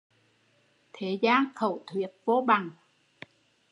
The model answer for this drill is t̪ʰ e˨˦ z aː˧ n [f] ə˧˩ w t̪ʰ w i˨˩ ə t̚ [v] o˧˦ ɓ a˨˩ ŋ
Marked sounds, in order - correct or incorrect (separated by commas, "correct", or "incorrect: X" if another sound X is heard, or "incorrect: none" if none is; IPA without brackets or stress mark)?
incorrect: x, correct